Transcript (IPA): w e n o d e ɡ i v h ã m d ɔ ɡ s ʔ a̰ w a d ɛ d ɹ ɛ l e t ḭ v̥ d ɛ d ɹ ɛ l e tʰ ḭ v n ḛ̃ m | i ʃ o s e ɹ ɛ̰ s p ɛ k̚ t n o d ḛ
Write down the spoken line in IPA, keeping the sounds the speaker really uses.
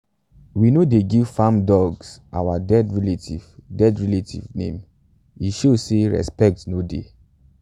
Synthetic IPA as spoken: w i n o d e ɡ i v f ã m d ɔ ɡ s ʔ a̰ w a d ɛ d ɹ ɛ l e t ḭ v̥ d ɛ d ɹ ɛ l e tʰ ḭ v n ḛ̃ m | i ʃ o s e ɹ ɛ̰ s p ɛ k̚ t n o d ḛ